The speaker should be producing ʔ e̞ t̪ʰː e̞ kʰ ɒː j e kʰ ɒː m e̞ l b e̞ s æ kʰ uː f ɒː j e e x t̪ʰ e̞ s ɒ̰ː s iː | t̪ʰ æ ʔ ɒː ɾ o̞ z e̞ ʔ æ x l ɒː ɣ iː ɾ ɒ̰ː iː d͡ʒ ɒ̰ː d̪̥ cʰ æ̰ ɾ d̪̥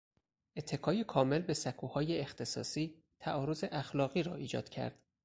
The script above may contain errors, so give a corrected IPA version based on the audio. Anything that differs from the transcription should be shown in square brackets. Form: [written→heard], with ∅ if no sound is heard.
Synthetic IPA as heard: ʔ e̞ t̪ʰː e̞ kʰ ɒː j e kʰ ɒː m e̞ l b e̞ s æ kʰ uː [f→h] ɒː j e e x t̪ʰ e̞ s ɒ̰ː s iː | t̪ʰ æ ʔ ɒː ɾ o̞ z e̞ ʔ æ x l ɒː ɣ iː ɾ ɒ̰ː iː d͡ʒ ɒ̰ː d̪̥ cʰ æ̰ ɾ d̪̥